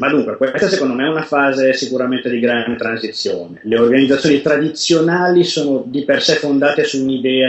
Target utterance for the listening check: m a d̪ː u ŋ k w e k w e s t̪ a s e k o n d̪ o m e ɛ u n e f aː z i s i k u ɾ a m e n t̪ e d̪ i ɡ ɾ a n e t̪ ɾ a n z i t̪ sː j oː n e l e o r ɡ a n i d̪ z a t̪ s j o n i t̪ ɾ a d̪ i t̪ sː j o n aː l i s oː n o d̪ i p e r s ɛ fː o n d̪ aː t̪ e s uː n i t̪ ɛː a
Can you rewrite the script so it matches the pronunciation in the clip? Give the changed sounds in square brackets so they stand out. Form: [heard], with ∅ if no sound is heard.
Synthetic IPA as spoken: m a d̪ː u ŋ k w e k w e s t̪ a s e k o n d̪ o m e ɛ u n [a] f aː z [e] s i k u ɾ a m e n t̪ e d̪ i ɡ ɾ a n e t̪ ɾ a n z i t̪ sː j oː n e l e o r ɡ a n i d̪ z a t̪ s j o n i t̪ ɾ a d̪ i t̪ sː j o n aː l i s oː n o d̪ i p e r s ɛ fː o n d̪ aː t̪ e s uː n i [d̪] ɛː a